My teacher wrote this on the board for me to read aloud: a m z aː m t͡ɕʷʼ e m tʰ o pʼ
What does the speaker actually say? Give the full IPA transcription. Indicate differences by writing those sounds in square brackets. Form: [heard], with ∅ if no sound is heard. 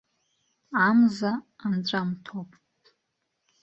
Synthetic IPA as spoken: a m z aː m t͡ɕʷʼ [a] m tʰ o pʼ